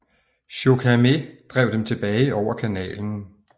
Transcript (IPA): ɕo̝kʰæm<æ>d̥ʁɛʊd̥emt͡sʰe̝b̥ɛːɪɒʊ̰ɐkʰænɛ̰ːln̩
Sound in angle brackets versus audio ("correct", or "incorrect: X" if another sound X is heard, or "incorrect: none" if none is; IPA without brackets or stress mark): incorrect: e